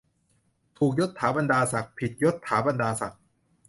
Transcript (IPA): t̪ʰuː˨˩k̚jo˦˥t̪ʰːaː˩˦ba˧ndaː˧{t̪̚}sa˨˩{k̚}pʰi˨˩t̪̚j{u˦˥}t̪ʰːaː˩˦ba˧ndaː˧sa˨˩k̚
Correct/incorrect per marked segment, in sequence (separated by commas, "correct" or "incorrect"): incorrect, correct, incorrect